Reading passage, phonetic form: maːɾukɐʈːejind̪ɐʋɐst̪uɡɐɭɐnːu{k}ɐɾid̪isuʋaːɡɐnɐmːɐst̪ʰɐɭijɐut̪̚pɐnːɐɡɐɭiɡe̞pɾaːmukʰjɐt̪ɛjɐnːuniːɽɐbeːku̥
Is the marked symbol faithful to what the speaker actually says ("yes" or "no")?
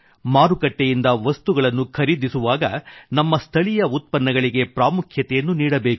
no